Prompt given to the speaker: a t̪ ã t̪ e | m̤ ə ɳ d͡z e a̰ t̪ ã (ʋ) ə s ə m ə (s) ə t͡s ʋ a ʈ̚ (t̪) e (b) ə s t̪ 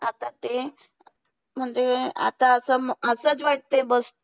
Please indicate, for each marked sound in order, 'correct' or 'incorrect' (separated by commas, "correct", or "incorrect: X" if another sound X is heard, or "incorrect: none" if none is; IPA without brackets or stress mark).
incorrect: none, correct, correct, correct